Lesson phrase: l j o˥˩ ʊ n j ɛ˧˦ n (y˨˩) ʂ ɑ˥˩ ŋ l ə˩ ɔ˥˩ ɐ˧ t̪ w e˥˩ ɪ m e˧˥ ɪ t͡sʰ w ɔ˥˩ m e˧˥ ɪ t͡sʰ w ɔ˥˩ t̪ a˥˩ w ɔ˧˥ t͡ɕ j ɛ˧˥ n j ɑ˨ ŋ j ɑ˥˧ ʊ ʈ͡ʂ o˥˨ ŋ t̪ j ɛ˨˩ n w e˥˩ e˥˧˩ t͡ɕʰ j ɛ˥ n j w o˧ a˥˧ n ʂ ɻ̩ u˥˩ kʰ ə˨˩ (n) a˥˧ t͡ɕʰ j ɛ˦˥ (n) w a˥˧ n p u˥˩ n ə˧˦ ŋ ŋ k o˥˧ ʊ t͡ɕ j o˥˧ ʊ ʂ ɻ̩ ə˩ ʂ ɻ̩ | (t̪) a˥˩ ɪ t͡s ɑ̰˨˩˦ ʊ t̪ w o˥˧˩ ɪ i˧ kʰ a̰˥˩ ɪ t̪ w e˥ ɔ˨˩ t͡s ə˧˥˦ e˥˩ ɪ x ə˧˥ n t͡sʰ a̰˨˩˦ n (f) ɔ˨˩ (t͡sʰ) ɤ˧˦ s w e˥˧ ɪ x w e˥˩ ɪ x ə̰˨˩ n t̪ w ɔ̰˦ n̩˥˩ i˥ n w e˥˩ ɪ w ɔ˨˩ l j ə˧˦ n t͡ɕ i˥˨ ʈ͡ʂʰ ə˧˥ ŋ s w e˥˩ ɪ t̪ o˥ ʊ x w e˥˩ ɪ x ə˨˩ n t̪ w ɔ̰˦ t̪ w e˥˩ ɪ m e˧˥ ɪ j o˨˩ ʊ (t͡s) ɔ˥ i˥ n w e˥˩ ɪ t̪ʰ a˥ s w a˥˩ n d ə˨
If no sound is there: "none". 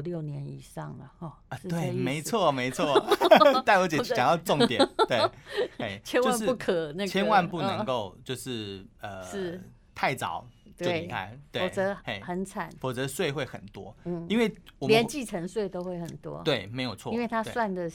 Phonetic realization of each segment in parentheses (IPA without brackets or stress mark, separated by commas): i˨˩, n, n, t̪ʰ, f, t͡s, t͡sʰ